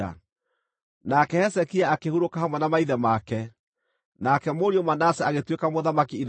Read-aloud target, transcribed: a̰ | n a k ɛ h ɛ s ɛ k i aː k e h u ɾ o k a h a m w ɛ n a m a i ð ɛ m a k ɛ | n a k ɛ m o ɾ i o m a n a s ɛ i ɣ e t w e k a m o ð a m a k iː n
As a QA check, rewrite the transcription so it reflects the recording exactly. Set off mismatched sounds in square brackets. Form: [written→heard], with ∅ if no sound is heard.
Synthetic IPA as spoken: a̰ | n a k ɛ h ɛ s ɛ k i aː k e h u ɾ o k a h a m w ɛ n a m a i ð ɛ m a k ɛ | n a k ɛ m o ɾ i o m a n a s ɛ [i→a] ɣ e t w e k a m o ð a m a k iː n